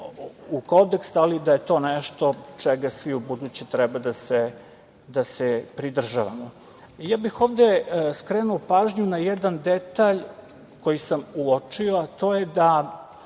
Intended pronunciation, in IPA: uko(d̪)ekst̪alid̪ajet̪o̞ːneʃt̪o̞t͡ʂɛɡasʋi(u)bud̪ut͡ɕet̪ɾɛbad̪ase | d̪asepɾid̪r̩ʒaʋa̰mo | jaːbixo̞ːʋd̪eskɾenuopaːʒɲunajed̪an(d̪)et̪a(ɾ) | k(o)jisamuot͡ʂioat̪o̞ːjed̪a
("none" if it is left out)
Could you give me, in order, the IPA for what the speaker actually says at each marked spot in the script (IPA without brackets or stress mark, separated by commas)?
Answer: d̪, u, d̪, ʎ, o